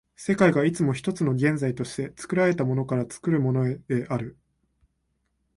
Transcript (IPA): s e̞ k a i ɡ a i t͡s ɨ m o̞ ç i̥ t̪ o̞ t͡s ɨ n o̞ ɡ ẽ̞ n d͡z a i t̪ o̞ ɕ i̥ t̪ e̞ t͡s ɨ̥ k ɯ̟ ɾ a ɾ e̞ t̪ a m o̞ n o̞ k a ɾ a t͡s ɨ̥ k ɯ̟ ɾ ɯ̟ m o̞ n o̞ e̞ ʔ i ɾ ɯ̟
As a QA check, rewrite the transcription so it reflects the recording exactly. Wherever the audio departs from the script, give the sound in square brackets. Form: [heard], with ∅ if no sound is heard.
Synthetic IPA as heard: s e̞ k a i ɡ a i t͡s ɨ m o̞ ç i̥ t̪ o̞ t͡s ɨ n o̞ ɡ ẽ̞ n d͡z a i t̪ o̞ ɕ i̥ t̪ e̞ t͡s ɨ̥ k ɯ̟ ɾ a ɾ e̞ t̪ a m o̞ n o̞ k a ɾ a t͡s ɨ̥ k ɯ̟ ɾ ɯ̟ m o̞ n o̞ e̞ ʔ [a] ɾ ɯ̟